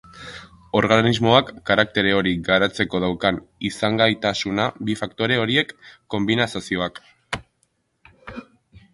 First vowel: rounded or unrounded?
rounded